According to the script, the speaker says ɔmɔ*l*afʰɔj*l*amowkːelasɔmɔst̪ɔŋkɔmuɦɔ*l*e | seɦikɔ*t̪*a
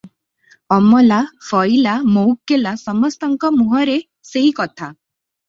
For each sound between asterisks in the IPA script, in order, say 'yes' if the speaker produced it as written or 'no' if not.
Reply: yes, yes, no, no

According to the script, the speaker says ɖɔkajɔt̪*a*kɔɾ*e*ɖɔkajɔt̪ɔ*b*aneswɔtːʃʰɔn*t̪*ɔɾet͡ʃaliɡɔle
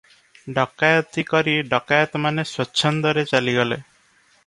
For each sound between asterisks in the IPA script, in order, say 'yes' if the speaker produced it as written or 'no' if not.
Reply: no, no, no, no

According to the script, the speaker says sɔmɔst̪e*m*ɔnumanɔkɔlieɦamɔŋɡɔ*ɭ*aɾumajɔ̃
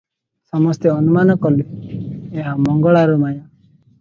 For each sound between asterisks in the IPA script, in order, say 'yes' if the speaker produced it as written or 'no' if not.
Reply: no, yes

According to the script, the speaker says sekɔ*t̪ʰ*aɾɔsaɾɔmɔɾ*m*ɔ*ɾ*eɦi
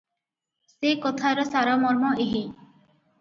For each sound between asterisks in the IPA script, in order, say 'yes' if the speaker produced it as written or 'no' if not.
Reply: yes, yes, no

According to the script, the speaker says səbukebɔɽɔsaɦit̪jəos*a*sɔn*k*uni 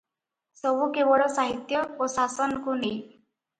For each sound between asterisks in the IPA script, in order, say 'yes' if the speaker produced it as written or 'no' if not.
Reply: yes, yes

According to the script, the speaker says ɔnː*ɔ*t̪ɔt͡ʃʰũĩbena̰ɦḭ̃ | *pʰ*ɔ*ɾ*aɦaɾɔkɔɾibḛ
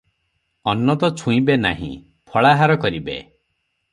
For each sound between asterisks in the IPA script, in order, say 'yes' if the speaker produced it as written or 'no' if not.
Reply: yes, yes, no

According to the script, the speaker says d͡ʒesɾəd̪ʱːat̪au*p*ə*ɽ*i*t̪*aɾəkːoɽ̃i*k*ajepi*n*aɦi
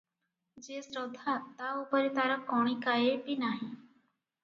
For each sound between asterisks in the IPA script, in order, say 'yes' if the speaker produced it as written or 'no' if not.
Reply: yes, no, yes, yes, yes

